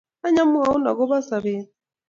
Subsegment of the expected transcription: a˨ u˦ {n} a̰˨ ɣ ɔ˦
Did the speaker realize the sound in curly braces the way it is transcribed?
yes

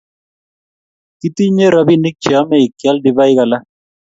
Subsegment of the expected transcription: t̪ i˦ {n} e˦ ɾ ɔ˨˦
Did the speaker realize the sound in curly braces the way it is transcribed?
no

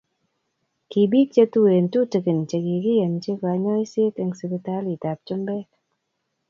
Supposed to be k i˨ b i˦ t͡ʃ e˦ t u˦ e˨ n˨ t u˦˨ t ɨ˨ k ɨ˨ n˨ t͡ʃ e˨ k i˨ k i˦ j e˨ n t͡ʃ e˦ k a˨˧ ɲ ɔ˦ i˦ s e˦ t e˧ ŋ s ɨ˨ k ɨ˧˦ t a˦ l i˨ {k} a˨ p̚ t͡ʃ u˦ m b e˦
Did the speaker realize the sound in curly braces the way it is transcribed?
no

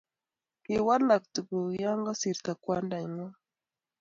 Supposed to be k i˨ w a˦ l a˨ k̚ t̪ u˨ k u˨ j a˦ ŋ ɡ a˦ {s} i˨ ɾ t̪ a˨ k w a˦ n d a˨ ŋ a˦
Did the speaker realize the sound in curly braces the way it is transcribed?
yes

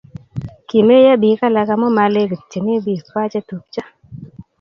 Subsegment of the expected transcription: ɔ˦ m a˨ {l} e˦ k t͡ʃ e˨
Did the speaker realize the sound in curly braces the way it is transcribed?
yes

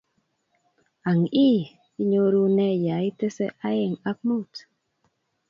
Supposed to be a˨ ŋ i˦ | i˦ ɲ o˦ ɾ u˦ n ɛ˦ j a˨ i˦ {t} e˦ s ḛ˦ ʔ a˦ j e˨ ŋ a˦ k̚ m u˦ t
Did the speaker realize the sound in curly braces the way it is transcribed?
yes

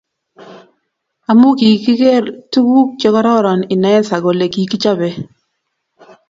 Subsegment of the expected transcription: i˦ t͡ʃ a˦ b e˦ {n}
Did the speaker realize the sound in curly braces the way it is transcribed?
no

